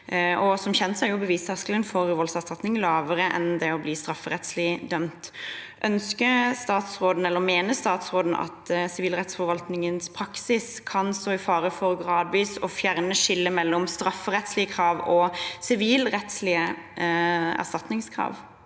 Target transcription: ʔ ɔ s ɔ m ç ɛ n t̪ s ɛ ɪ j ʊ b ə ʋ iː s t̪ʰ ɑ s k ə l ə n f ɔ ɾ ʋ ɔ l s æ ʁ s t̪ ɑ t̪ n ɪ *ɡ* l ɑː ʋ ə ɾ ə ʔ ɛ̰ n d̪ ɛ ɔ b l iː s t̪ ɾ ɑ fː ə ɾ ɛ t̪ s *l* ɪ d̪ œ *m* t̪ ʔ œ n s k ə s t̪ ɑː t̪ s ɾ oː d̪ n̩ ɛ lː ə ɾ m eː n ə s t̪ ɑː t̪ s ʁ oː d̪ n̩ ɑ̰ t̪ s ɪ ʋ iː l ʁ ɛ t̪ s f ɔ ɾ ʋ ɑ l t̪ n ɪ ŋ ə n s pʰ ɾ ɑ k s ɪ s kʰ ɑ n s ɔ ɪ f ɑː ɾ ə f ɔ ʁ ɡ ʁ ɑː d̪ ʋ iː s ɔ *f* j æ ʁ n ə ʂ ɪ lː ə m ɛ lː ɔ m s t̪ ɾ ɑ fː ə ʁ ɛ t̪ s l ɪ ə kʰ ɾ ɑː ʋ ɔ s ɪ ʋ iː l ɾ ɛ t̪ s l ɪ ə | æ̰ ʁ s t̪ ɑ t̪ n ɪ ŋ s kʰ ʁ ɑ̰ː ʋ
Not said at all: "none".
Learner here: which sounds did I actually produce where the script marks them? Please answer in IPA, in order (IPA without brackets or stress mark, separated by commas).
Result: ŋ, l, m, f